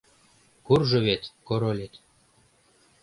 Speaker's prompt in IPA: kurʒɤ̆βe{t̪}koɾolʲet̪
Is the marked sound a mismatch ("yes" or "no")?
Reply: no